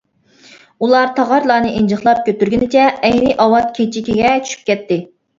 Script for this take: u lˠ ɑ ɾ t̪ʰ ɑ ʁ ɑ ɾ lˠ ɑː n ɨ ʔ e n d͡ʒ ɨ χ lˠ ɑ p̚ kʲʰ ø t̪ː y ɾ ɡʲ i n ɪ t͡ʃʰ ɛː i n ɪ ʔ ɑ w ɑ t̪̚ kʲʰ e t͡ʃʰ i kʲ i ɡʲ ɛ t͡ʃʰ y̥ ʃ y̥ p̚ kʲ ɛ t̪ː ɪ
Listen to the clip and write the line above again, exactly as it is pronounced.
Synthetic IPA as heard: u lˠ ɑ ɾ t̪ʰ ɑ ʁ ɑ ɾ lˠ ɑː n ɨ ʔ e n d͡ʒ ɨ χ lˠ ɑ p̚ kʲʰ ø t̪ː y ɾ ɡʲ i n ɪ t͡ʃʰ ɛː j n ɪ ʔ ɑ w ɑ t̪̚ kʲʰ e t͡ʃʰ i kʲ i ɡʲ ɛ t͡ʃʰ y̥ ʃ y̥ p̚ kʲ ɛ t̪ː ɪ